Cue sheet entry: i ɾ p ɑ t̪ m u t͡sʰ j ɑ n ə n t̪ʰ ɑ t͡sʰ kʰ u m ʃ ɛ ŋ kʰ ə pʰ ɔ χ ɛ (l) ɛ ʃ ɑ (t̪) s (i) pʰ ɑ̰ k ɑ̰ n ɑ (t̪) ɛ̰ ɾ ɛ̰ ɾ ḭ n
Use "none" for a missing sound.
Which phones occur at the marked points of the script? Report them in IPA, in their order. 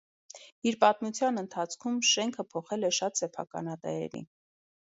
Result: l, t̪, ɛ, t̪

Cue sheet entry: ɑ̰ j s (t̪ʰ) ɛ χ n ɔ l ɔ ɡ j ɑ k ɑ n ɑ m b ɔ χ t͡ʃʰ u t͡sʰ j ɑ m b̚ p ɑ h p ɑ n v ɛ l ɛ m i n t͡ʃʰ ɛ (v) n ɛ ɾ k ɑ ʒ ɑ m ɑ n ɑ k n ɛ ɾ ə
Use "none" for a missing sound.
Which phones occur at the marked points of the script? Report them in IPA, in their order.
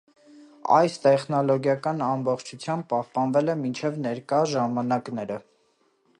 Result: t̪, v

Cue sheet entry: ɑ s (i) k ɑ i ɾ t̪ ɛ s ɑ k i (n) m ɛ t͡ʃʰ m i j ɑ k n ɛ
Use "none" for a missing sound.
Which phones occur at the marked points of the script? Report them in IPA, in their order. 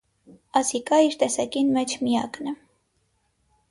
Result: i, n

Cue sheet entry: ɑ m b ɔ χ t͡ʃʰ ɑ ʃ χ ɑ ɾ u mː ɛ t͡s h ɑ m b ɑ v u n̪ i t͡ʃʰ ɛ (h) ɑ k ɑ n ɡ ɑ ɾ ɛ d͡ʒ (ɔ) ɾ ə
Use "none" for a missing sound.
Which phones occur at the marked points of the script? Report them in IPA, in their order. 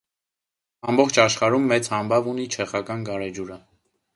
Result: χ, u

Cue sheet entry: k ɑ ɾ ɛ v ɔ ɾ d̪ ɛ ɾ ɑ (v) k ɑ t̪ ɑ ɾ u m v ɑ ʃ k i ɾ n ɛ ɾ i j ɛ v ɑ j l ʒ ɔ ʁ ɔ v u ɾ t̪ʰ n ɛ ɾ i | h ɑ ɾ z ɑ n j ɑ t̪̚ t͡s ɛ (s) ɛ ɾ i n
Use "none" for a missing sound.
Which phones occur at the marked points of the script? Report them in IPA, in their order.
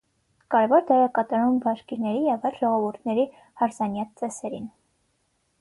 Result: none, s

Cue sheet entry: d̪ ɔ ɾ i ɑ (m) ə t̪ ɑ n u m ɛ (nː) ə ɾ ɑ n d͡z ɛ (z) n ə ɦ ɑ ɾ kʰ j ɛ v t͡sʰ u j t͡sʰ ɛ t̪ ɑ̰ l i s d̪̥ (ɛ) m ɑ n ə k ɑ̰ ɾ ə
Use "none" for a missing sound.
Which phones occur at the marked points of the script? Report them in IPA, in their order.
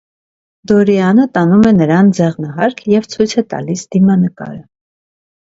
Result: n, n, ʁ, i

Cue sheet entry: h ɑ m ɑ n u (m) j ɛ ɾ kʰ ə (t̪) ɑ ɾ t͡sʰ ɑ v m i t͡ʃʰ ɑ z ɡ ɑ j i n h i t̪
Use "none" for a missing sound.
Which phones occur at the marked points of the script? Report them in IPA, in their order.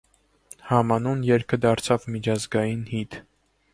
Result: n, d̪

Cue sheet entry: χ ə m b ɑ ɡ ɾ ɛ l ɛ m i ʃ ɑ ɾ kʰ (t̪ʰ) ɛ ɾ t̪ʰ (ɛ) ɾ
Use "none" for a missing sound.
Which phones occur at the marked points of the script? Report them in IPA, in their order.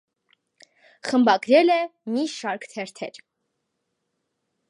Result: t̪ʰ, ɛ

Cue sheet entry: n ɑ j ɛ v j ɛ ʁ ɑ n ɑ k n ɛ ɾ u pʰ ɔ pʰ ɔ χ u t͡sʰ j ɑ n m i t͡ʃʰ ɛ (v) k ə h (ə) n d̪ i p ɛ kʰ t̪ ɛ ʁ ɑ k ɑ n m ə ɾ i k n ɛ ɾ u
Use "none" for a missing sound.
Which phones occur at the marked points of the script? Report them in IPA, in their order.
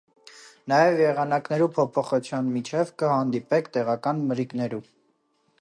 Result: v, ɑ

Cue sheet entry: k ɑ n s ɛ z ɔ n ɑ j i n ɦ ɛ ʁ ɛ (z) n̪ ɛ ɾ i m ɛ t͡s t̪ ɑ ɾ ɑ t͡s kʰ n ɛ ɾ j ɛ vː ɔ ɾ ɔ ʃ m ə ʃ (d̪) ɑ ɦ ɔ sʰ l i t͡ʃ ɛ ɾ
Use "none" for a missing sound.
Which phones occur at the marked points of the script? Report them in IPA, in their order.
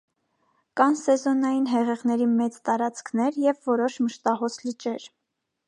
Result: ʁ, t̪

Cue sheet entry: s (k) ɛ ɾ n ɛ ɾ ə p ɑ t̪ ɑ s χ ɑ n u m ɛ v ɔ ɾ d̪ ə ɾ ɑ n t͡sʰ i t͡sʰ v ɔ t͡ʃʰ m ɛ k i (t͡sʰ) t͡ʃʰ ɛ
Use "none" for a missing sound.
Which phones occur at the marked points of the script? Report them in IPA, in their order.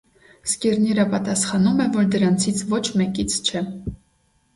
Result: k, t͡sʰ

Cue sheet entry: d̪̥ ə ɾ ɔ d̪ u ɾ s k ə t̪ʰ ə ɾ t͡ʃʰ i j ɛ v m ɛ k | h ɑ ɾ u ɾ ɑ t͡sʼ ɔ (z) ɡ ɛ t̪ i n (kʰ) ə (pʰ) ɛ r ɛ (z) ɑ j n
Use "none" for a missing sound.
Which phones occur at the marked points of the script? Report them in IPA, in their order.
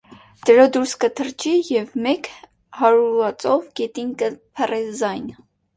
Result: v, k, pʰ, z

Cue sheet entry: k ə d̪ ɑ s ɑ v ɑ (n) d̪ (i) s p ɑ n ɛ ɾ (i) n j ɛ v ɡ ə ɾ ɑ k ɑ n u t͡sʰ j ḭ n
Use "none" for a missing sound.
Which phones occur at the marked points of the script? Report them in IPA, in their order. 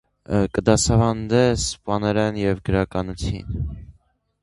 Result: n, ɛ, ɛ

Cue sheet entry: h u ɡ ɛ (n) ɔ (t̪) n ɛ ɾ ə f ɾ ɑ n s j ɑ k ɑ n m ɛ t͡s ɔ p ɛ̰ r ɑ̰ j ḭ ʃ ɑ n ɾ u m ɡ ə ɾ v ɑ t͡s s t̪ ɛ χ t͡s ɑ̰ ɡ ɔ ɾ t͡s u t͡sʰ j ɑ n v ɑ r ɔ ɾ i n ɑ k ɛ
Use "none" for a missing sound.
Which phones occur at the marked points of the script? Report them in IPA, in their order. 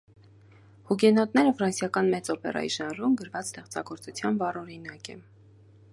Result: n, t̪

